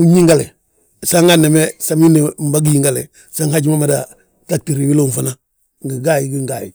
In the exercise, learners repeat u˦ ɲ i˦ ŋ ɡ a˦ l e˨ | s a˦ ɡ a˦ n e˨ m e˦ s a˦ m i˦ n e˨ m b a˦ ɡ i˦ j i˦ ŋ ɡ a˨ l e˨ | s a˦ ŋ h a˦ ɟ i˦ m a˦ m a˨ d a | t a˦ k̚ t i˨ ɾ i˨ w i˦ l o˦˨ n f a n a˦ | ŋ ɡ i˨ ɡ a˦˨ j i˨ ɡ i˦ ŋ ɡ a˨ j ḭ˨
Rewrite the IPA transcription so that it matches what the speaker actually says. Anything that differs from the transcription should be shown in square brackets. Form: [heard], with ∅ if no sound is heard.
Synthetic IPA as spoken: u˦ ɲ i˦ ŋ ɡ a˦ l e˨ | s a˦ [ŋ] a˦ n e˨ m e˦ s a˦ m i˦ n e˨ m b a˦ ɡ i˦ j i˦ ŋ ɡ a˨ l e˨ | s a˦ ŋ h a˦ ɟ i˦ m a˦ m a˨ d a | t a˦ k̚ t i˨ ɾ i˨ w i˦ l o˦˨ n f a n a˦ | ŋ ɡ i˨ ɡ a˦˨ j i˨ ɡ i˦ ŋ ɡ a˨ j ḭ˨